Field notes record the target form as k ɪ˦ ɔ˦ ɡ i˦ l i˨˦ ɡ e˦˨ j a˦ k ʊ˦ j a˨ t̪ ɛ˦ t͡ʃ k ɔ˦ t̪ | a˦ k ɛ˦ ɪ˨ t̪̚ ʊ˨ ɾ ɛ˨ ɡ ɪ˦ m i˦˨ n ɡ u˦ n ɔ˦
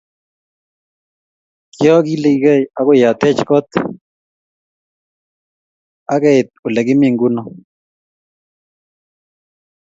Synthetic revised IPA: k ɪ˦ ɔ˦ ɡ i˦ l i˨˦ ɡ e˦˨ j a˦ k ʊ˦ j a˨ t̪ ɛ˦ t͡ʃ k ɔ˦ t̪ | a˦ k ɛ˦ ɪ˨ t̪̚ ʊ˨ l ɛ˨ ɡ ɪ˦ m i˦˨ ŋ ɡ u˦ n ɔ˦